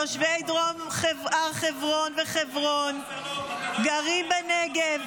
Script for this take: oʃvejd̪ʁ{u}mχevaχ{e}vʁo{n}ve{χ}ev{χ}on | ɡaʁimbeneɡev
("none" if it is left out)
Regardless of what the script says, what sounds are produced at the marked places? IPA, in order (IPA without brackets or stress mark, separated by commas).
o, e, n, χ, ʁ